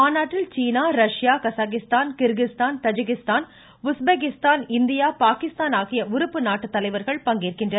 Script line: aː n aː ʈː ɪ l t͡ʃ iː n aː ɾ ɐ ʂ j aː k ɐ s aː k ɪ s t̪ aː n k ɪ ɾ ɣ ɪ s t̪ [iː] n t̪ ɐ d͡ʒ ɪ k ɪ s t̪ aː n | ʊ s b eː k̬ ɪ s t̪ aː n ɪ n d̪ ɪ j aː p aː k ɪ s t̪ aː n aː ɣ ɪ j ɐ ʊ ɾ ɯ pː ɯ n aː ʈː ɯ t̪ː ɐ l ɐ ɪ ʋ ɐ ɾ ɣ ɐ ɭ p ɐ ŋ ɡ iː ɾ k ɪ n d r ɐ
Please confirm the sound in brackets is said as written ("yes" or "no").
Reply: no